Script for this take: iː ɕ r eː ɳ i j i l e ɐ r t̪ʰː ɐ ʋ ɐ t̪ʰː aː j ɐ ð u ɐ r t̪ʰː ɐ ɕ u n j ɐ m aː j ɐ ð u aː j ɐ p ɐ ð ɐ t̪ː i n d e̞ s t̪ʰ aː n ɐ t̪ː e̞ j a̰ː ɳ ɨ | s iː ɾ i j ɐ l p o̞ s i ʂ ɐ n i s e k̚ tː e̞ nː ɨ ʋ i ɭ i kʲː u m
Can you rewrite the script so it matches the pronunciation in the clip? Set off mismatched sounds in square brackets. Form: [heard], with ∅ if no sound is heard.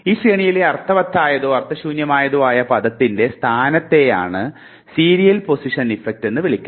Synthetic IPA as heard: iː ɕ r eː ɳ i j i l e ɐ r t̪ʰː ɐ ʋ ɐ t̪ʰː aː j ɐ ð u ɐ r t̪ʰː ɐ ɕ [uː] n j ɐ m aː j ɐ ð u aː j ɐ p ɐ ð ɐ t̪ː i n d e̞ s t̪ʰ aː n ɐ t̪ː e̞ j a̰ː ɳ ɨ | s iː ɾ i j ɐ l p o̞ s i ʂ ɐ n i [f] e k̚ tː e̞ nː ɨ ʋ i ɭ i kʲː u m